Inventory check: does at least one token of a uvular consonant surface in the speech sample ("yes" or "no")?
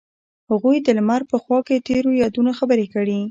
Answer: no